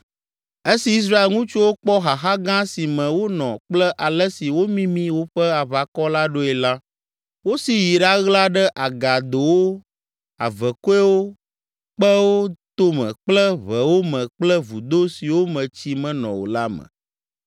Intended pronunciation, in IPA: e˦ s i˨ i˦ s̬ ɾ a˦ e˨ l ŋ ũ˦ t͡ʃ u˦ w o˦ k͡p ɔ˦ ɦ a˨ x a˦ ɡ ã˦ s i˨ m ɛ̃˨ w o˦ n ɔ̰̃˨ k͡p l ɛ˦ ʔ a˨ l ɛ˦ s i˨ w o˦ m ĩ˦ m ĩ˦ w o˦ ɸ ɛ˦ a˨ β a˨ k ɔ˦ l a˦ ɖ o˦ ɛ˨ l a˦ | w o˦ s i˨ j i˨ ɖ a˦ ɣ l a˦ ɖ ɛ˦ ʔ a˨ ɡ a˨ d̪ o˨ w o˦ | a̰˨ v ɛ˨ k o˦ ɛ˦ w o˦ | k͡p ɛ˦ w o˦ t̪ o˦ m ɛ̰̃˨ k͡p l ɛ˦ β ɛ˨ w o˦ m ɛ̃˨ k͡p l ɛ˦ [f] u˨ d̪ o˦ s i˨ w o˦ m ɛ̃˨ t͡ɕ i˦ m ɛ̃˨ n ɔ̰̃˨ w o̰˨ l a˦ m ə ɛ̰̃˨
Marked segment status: incorrect: v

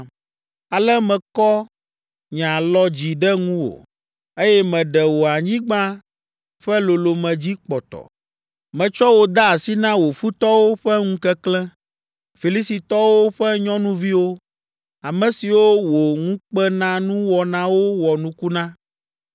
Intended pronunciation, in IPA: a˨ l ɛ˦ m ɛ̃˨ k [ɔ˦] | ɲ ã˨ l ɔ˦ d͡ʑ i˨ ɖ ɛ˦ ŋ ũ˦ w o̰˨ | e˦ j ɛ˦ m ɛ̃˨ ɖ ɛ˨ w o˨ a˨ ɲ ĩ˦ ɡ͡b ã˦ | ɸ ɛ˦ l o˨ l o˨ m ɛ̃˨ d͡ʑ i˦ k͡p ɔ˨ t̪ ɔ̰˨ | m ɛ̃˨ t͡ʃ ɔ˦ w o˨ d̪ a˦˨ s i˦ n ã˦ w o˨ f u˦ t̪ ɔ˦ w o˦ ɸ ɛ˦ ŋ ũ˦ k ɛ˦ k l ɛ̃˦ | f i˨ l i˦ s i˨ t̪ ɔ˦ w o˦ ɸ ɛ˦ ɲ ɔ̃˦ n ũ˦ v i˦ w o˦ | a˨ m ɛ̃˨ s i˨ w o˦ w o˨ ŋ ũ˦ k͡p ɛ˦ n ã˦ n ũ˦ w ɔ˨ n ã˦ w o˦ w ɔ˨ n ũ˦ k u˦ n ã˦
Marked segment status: correct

